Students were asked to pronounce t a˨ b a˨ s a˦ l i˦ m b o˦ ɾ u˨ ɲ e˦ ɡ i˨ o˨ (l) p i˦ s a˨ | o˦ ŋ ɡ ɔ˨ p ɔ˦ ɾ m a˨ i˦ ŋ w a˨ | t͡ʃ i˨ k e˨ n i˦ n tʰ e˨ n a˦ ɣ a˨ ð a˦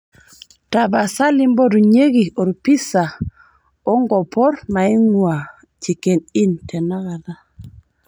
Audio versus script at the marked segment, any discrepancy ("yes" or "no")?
yes